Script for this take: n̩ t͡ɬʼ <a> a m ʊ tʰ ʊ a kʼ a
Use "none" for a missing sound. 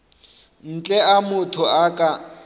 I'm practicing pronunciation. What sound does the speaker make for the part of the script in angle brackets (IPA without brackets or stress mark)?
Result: ɛ